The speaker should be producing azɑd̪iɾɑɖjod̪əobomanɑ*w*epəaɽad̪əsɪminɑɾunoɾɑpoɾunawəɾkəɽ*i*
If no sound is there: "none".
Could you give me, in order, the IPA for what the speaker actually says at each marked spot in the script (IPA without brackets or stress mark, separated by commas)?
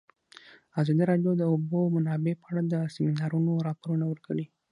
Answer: b, i